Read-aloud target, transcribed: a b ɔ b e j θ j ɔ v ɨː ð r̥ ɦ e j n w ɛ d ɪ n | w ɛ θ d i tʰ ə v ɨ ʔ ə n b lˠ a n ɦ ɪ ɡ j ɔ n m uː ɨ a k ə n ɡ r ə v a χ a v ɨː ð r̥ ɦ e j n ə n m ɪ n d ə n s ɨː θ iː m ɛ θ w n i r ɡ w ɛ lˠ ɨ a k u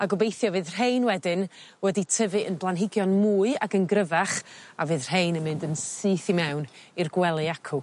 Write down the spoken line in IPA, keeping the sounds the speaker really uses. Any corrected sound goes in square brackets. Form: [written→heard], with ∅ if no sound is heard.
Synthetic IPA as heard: a [b→ɡ] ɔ b e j θ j ɔ v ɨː ð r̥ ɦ e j n w ɛ d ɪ n | w ɛ [θ→∅] d i tʰ ə v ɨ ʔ ə n b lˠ a n ɦ ɪ ɡ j ɔ n m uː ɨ a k ə n ɡ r ə v a χ a v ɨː ð r̥ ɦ e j n ə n m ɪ n d ə n s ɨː θ [iː→i] m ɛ [θ→∅] w n i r ɡ w ɛ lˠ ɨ a [k→kʰ] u